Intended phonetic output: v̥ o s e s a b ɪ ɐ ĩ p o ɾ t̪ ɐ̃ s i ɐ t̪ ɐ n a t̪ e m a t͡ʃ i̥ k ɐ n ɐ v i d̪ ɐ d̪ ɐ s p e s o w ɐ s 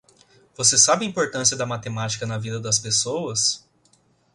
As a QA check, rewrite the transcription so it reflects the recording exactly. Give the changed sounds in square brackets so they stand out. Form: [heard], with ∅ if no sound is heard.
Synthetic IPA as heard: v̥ o s e s a b ɪ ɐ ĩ p o ɾ t̪ ɐ̃ s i ɐ [d̪] ɐ [m] a t̪ e m a t͡ʃ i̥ k ɐ n ɐ v i d̪ ɐ d̪ ɐ s p e s o w ɐ s